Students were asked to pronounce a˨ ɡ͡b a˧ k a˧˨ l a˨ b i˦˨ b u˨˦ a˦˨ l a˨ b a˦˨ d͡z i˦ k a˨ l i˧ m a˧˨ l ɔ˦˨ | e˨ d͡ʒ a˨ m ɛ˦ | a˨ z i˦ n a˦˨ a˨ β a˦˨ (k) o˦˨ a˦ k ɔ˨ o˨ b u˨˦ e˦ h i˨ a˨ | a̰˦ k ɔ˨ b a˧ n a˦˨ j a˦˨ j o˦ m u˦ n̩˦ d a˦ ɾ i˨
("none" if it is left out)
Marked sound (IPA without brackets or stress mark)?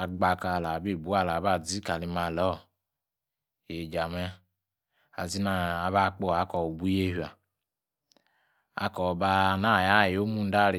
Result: k͡p